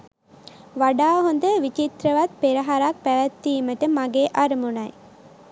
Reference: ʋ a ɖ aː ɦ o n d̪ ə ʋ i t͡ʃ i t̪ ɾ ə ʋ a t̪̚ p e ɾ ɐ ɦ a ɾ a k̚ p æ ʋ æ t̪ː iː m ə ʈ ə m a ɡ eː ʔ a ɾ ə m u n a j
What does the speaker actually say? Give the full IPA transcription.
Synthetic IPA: ʋ a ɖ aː ɦ o n d̪ ə ʋ i t͡ʃ i t̪ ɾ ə ʋ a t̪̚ p e ɾ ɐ ɦ a ɾ a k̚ p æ ʋ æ t̪ː iː m ə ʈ ə m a ɡ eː ʔ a ɾ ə m u n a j